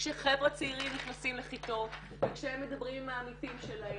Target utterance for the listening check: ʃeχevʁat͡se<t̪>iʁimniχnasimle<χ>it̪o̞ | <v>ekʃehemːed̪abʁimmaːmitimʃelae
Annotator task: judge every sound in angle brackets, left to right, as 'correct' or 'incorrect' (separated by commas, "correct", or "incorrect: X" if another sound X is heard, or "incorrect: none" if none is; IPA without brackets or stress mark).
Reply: incorrect: none, correct, correct